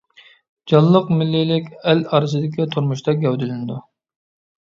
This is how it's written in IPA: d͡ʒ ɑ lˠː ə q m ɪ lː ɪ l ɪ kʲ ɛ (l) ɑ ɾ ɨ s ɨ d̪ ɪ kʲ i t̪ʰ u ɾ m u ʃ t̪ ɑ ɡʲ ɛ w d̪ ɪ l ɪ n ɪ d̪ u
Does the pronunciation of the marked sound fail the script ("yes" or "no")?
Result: no